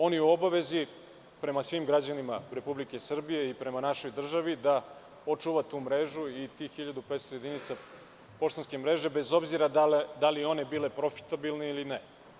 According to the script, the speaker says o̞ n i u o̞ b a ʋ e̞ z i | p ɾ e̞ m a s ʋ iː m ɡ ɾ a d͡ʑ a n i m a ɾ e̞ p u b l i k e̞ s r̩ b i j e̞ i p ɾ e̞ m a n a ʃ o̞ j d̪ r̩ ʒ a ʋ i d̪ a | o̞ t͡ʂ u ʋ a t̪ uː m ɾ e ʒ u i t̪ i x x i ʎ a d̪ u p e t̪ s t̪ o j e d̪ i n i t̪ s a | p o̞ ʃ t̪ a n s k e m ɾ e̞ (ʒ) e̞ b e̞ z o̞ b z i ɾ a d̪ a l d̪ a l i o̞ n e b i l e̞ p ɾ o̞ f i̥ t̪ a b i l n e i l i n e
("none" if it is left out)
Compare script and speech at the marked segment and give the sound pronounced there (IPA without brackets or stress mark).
ʒ